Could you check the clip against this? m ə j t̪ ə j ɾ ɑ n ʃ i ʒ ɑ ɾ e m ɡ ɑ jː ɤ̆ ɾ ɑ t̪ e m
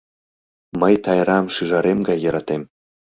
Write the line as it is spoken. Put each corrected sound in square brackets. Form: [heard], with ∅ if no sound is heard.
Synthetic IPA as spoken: m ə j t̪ [ɑ] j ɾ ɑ [m] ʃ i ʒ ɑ ɾ e m ɡ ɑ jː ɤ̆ ɾ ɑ t̪ e m